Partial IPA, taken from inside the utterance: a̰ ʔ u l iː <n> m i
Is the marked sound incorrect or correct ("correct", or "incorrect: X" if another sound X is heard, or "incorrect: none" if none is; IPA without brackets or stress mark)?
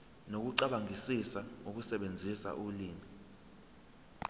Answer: incorrect: none